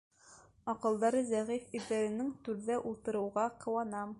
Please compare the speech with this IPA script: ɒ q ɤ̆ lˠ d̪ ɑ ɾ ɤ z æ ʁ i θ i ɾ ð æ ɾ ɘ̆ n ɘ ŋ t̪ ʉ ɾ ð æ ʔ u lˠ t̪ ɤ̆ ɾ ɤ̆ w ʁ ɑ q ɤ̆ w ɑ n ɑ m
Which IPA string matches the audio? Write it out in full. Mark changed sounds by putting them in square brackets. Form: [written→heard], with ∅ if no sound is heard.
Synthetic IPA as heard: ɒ q ɤ̆ lˠ d̪ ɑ ɾ ɤ z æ ʁ i [θ→f] i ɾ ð æ ɾ ɘ̆ n ɘ ŋ t̪ ʉ ɾ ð æ ʔ u lˠ t̪ ɤ̆ ɾ ɤ̆ w ʁ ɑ q ɤ̆ w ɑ n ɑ m